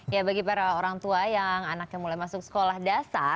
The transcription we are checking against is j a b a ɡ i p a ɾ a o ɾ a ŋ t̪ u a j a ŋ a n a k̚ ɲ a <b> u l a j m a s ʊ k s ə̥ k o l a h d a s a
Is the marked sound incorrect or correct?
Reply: incorrect